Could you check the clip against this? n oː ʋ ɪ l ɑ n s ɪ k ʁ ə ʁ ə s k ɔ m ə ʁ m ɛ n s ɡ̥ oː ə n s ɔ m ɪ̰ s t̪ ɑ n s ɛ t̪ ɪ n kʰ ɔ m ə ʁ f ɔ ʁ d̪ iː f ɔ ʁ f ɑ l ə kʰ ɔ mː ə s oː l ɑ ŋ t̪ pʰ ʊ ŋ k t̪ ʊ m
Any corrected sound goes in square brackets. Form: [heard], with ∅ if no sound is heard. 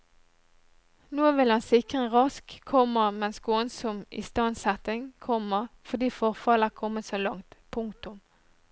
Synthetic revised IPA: n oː ʋ ɪ l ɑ n s ɪ k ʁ ə ʁ [ɑ] s [kʰ] ɔ m ə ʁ m ɛ n s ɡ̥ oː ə n s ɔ m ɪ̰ s t̪ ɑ n s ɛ t̪ ɪ [ŋ] kʰ ɔ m ə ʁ f ɔ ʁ d̪ iː f ɔ ʁ f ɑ l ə kʰ ɔ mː ə s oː l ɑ ŋ t̪ pʰ ʊ ŋ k t̪ ʊ m